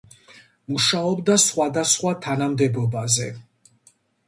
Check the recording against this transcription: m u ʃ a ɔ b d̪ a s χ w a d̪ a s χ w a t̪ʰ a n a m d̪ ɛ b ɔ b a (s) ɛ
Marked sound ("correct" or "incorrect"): incorrect